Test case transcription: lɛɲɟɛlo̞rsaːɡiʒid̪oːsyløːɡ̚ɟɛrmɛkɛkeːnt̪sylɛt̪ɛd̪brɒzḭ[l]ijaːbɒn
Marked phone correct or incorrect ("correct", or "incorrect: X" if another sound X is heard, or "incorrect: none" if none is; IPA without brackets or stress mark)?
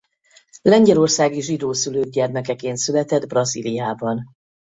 correct